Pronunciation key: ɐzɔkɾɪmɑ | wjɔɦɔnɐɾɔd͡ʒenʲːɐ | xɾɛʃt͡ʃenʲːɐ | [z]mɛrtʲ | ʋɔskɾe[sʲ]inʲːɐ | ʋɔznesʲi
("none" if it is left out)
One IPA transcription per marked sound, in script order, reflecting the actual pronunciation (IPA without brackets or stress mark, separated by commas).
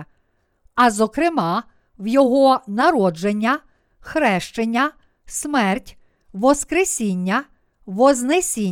s, sʲ